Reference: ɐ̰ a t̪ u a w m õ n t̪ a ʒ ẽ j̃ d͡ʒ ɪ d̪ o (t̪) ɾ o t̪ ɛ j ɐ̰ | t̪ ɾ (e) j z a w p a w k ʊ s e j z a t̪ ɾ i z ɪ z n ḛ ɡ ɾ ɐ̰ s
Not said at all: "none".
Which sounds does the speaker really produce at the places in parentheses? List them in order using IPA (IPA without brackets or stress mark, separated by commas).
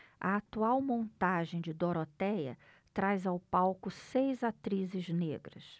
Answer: none, a